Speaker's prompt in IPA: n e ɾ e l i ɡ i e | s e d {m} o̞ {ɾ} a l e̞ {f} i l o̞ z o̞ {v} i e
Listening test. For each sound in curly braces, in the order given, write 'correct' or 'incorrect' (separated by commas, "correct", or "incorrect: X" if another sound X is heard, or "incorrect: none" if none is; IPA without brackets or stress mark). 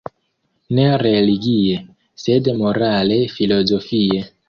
correct, correct, correct, incorrect: f